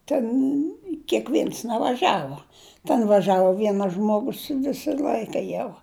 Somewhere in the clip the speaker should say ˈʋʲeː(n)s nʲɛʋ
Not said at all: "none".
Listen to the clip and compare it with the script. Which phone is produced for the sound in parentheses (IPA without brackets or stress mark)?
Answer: n